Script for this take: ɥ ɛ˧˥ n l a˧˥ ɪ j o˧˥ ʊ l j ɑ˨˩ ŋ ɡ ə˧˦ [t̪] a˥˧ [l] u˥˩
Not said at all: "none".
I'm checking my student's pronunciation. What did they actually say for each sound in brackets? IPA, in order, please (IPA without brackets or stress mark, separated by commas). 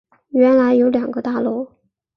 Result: t̪, l